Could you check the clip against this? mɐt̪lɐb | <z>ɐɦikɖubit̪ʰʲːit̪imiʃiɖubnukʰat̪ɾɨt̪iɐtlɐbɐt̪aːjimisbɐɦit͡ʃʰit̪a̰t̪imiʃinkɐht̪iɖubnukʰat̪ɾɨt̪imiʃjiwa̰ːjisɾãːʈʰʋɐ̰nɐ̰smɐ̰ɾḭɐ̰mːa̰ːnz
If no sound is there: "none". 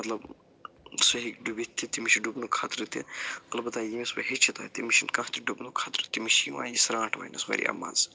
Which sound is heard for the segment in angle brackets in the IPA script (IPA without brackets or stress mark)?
s